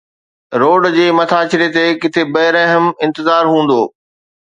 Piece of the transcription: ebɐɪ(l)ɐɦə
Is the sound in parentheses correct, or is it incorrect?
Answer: incorrect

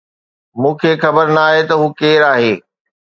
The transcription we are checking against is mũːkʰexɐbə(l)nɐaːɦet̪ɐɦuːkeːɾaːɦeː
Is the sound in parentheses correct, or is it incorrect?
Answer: incorrect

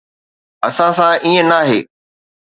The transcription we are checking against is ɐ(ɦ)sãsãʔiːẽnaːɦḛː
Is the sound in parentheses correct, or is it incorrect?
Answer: incorrect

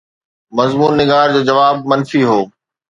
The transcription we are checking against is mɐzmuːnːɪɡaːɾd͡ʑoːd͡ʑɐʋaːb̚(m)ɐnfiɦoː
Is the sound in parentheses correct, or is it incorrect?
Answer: correct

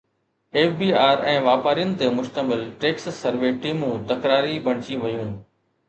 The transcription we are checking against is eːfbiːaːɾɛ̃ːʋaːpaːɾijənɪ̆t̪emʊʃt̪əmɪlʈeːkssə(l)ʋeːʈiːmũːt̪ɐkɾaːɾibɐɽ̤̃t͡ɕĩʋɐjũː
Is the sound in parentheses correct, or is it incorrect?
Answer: incorrect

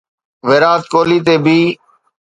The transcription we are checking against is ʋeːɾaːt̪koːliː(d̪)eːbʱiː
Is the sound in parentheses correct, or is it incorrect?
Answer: incorrect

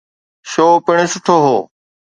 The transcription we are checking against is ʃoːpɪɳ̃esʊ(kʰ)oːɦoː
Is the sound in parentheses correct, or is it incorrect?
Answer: incorrect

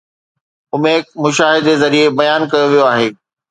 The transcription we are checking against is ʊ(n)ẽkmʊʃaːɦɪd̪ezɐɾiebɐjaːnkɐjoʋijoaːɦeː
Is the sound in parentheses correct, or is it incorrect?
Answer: incorrect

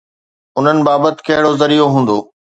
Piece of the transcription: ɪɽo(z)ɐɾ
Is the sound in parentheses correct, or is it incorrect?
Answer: correct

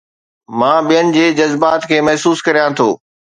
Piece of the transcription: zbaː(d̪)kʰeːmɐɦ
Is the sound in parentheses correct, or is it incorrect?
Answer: incorrect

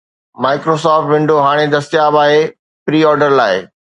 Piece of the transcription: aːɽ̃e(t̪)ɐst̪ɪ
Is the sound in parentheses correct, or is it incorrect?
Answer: incorrect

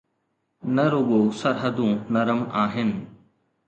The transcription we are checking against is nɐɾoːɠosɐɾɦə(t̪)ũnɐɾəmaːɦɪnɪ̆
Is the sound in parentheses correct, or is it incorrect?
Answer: incorrect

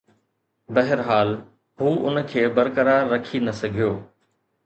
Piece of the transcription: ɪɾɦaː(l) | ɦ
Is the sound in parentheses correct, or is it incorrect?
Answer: correct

